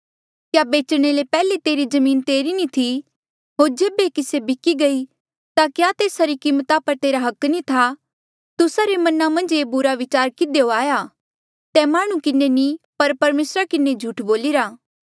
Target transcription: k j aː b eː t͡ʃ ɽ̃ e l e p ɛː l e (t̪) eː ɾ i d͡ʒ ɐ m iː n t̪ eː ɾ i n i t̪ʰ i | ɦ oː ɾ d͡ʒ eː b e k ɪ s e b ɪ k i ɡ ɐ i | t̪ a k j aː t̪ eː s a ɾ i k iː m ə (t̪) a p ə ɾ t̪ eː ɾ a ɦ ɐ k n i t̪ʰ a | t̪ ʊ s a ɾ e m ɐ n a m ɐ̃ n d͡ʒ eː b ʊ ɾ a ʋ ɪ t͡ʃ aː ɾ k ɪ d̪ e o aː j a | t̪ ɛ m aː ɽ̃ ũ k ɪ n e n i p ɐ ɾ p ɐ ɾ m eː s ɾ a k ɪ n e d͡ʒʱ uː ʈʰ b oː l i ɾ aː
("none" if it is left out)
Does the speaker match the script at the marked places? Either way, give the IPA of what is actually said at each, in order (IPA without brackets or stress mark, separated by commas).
t̪, t̪